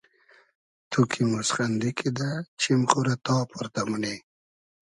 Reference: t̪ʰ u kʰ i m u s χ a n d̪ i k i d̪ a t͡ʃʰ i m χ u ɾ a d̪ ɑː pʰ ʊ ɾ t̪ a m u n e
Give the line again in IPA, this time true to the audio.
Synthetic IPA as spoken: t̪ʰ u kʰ i m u s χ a n d̪ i k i d̪ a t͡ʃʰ i m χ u ɾ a t̪ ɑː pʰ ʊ ɾ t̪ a m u n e